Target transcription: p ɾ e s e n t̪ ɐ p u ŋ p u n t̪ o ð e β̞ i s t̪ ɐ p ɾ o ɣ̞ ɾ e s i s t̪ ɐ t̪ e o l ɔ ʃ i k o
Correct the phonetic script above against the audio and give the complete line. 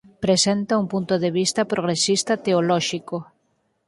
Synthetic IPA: p ɾ e s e n t̪ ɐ u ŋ p u n t̪ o ð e β̞ i s t̪ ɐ p ɾ o ɣ̞ ɾ e s i s t̪ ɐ t̪ e o l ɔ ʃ i k o